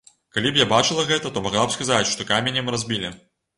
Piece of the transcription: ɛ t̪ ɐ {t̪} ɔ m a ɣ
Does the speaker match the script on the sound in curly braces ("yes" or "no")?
yes